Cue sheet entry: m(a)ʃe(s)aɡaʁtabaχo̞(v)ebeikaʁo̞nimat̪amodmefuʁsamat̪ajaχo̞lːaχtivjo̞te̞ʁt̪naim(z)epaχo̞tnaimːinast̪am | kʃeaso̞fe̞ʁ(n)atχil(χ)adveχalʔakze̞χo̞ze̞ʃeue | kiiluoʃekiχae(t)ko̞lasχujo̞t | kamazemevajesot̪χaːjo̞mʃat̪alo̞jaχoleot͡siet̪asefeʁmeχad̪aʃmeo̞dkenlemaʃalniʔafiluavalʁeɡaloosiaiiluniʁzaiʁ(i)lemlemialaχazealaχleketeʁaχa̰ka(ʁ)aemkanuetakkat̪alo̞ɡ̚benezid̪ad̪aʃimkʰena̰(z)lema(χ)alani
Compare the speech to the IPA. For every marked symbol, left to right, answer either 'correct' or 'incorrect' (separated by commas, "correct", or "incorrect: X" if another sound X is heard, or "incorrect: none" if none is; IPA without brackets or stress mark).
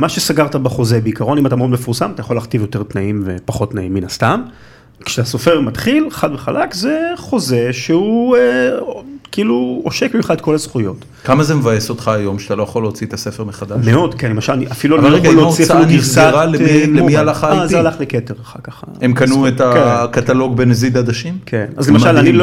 correct, correct, incorrect: z, incorrect: v, incorrect: m, correct, correct, incorrect: a, incorrect: χ, correct, incorrect: ʃ